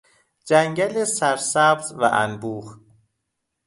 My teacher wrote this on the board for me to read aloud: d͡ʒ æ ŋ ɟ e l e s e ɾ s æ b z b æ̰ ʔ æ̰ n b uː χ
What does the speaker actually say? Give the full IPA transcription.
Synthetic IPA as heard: d͡ʒ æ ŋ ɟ æ l e s æ ɾ s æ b z v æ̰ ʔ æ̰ n b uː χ